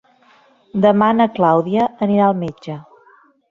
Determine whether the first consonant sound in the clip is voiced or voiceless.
voiced